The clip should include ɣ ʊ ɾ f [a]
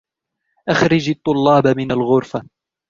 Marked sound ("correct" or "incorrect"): correct